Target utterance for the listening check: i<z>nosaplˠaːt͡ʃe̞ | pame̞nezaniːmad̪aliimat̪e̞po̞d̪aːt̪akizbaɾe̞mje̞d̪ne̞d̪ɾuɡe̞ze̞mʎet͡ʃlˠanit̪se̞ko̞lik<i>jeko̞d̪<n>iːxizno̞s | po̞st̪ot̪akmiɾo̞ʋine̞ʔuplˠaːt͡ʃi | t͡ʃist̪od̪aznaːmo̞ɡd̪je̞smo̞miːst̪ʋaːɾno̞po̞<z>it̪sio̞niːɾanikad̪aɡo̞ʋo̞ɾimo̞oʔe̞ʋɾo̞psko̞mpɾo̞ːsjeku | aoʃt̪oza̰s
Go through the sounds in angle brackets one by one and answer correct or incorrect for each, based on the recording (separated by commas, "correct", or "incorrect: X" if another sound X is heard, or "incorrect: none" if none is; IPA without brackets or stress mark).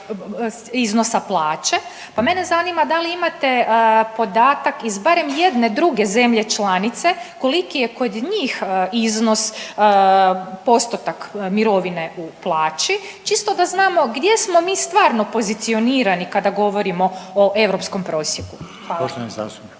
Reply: correct, correct, incorrect: ɲ, correct